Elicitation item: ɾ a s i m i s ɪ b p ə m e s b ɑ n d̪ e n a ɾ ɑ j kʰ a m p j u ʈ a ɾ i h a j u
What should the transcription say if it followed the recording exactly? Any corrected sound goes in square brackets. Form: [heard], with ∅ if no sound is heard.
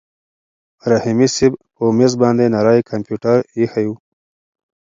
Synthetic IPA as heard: ɾ a [h] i m i s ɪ b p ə m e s b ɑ n d̪ e n a ɾ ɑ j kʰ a m p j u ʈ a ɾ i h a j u